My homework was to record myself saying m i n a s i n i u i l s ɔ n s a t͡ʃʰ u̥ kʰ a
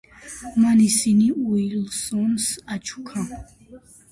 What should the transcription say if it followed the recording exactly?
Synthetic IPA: m a n i s i n i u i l s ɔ n s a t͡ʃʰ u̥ kʰ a

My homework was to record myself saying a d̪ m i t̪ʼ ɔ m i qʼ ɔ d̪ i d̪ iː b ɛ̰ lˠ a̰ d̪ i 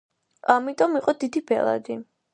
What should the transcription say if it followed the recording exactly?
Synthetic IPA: a m i t̪ʼ ɔ m i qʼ ɔ d̪ i d̪ i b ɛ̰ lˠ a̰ d̪ i

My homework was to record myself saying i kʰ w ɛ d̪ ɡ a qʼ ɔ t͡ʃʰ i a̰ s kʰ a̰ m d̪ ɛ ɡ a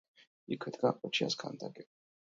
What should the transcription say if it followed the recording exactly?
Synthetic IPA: i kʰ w ɛ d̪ ɡ a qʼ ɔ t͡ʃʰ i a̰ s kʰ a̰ n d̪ a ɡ ɛ

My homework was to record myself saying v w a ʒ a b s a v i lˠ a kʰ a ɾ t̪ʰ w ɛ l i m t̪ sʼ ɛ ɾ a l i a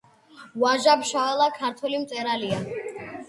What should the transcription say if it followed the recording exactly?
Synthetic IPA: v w a ʒ a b ʃ a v ɛ lˠ a kʰ a ɾ t̪ʰ w ɛ l i m t̪ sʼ ɛ ɾ a l i a

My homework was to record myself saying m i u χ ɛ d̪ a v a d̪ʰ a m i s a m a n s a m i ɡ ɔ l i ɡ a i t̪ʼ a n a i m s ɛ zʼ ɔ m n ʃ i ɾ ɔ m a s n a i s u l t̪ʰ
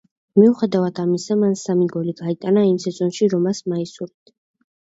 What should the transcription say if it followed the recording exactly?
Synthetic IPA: m i u χ ɛ d̪ a v a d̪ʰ a m i s a m a n s a m i ɡ ɔ l i ɡ a i t̪ʼ a n a i m s ɛ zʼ ɔ n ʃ i ɾ ɔ m a s m a i s u ɾ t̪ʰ

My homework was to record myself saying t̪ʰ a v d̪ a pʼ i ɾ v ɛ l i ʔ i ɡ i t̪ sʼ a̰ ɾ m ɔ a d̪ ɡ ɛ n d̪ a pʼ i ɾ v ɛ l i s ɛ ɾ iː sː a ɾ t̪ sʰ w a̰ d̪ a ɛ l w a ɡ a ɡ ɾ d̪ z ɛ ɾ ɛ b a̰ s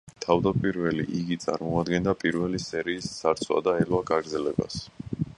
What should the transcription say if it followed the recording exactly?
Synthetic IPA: t̪ʰ a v d̪ a pʼ i ɾ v ɛ l i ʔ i ɡ i t̪ sʼ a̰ ɾ m ɔ a d̪ ɡ ɛ n d̪ a pʼ i ɾ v ɛ l i s ɛ ɾ iː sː a ɾ t̪ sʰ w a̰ d̪ a ɛ l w a ɡ a ɡ ɾ d̪ z ɛ l ɛ b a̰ s

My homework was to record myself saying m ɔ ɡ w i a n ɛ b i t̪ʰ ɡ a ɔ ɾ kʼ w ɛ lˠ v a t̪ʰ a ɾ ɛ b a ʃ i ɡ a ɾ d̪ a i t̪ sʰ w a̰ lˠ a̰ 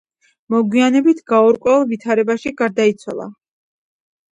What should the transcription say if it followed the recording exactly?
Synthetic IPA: m ɔ ɡ w i a n ɛ b i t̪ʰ ɡ a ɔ ɾ kʼ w ɛ lˠ v i t̪ʰ a ɾ ɛ b a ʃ i ɡ a ɾ d̪ a i t̪ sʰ w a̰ lˠ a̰

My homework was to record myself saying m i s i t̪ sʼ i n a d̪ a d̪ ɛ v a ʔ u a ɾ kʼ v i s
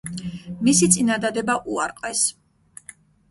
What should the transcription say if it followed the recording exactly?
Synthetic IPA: m i s i t̪ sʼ i n a d̪ a d̪ ɛ b a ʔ u a ɾ qʼ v ɛ s

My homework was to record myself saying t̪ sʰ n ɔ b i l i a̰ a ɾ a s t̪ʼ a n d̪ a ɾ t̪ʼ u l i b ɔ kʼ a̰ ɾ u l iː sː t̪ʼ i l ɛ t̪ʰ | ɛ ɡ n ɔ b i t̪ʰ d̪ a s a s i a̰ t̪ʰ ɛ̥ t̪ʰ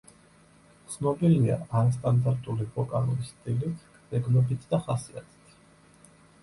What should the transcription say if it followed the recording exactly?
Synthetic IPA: t̪ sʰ n ɔ b i l i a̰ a ɾ a s t̪ʼ a n d̪ a ɾ t̪ʼ u l i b ɔ kʼ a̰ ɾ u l i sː t̪ʼ i l i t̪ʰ | ɛ ɡ n ɔ b i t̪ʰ d̪ a χ a s i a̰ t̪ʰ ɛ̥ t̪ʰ

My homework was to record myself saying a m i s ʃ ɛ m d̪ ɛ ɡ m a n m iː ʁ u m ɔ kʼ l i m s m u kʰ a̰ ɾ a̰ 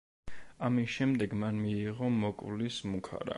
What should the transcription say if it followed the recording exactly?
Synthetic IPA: a m i s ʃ ɛ m d̪ ɛ ɡ m a n m iː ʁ ɔ m ɔ kʼ l i s m u kʰ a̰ ɾ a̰

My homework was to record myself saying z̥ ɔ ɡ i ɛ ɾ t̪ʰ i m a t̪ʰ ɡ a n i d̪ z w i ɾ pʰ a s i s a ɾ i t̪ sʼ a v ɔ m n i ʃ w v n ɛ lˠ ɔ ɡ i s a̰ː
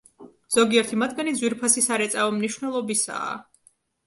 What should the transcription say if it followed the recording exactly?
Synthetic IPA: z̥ ɔ ɡ i ɛ ɾ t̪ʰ i m a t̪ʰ ɡ a n i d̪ z w i ɾ pʰ a s i s a ɾ ɛ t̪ sʼ a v ɔ m n i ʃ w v n ɛ lˠ ɔ b i s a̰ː

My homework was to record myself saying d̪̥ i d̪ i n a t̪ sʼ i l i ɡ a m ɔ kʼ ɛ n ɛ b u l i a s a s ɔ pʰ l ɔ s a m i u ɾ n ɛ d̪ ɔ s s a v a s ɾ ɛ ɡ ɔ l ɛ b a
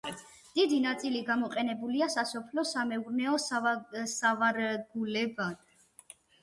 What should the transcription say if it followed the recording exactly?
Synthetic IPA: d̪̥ i d̪ i n a t̪ sʼ i l i ɡ a m ɔ qʼ ɛ n ɛ b u l i a s a s ɔ pʰ l ɔ s a m ɛ u ɾ n ɛ ɔ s s a v a ɾ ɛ ɡ u l ɛ b a

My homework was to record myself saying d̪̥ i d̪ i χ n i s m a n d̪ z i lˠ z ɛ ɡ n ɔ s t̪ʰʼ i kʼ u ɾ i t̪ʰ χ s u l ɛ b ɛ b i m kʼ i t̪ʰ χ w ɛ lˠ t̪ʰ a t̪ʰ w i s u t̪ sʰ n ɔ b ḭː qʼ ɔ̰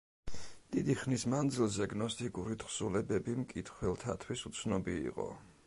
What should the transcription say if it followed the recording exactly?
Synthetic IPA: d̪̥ i d̪ i χ n i s m a n d̪ z i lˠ z ɛ ɡ n ɔ s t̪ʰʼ i kʼ u ɾ i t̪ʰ χ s u l ɛ b ɛ b i m kʼ i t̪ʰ χ w ɛ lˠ t̪ʰ a t̪ʰ w i s u t̪ sʰ n ɔ b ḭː qʼ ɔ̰

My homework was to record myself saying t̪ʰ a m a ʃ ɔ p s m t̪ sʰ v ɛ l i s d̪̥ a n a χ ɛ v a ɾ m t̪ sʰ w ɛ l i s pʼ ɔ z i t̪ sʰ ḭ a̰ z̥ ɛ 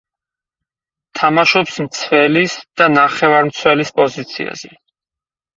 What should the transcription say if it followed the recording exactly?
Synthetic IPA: t̪ʰ a m a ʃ ɔ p s m t̪ sʰ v ɛ l i s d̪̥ a n a χ ɛ v a ɾ m t̪ sʰ w ɛ l i s pʼ ɔ z i t̪ sʰ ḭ a̰ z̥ ɛ

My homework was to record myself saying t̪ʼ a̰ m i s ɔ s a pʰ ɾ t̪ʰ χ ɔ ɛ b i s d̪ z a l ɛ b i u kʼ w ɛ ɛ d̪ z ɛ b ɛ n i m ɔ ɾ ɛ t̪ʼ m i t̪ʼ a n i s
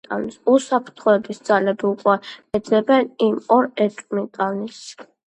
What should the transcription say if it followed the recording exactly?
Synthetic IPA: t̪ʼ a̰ n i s u s a pʰ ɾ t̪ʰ χ ɔ ɛ b i s d̪ z a l ɛ b i u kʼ w ɛ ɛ d̪ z ɛ b ɛ n i m ɔ ɾ ɛ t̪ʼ m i t̪ʼ a n i s

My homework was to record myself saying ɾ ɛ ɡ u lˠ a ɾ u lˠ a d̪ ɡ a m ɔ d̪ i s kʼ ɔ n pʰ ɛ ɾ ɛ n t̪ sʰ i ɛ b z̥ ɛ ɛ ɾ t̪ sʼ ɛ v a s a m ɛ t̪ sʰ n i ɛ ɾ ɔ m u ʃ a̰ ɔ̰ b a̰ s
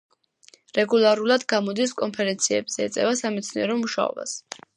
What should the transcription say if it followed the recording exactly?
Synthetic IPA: ɾ ɛ ɡ u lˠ a ɾ u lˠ a d̪ ɡ a m ɔ d̪ i s kʼ ɔ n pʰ ɛ ɾ ɛ n t̪ sʰ i ɛ b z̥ ɛ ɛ t̪ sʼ ɛ v a s a m ɛ t̪ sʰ n i ɛ ɾ ɔ m u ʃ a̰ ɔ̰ b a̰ s

